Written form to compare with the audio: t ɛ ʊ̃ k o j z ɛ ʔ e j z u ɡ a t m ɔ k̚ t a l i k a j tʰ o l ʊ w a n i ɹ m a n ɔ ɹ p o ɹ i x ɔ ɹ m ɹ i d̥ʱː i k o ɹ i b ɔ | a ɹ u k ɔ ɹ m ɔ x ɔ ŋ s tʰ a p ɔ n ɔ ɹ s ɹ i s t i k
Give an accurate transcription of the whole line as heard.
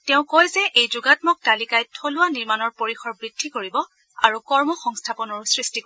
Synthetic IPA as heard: t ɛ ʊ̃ k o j z ɛ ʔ e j z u ɡ a t m ɔ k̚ t a l i k a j tʰ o l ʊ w a n i ɹ m a n ɔ ɹ p o ɹ i x ɔ ɹ b ɹ i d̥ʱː i k o ɹ i b ɔ | a ɹ u k ɔ ɹ m ɔ x ɔ ŋ s tʰ a p ɔ n ɔ ɹ s ɹ i s t i k